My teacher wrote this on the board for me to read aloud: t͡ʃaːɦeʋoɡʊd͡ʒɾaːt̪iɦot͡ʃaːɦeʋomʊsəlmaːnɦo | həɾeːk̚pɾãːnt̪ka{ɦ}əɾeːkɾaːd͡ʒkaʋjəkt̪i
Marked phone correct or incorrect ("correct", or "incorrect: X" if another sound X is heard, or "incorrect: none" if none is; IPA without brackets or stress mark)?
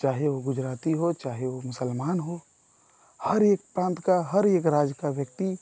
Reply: correct